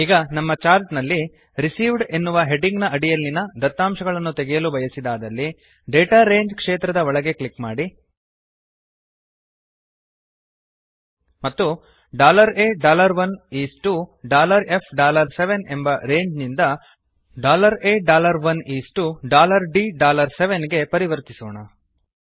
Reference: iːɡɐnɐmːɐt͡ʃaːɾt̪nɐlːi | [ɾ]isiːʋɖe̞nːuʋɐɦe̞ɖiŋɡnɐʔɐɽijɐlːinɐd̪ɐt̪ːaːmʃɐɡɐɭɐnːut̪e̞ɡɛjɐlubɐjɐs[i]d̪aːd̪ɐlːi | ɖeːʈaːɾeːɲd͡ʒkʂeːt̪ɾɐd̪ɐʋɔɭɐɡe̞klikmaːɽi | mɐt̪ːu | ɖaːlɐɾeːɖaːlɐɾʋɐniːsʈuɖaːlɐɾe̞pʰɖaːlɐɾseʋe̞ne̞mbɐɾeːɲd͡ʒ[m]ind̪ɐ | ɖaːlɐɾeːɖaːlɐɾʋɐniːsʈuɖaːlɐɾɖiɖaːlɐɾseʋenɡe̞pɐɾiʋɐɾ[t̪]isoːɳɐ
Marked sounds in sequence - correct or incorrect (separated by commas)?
correct, correct, incorrect, correct